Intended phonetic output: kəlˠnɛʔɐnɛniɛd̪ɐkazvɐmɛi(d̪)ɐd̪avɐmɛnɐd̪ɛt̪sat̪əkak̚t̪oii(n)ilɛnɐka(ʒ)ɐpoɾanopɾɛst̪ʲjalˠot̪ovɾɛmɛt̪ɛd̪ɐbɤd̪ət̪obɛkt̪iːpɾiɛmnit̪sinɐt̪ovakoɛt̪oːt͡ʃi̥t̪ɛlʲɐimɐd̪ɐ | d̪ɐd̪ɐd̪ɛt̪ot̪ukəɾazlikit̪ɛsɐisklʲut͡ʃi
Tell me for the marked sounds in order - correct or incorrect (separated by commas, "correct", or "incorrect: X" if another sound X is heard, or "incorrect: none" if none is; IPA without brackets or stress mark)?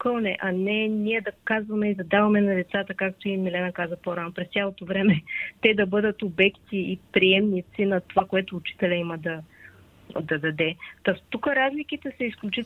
correct, incorrect: m, incorrect: z